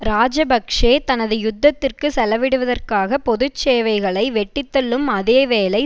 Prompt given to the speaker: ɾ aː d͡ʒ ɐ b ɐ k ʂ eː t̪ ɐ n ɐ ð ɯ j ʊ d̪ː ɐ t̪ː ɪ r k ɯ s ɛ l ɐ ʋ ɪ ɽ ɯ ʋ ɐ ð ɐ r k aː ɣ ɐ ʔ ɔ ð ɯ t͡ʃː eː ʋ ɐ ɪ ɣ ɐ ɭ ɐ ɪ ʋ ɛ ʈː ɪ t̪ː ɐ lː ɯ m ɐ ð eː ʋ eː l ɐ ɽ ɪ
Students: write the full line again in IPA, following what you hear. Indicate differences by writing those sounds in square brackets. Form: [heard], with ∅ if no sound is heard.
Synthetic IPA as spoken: ɾ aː d͡ʒ ɐ b ɐ k ʂ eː t̪ ɐ n ɐ ð ɯ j ʊ d̪ː ɐ t̪ː ɪ r k ɯ s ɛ l ɐ ʋ ɪ ɽ ɯ ʋ ɐ ð ɐ r k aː ɣ ɐ [p] ɔ ð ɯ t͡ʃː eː ʋ ɐ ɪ ɣ ɐ ɭ ɐ ɪ ʋ ɛ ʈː ɪ t̪ː ɐ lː ɯ m ɐ ð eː ʋ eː l ɐ [∅] ɪ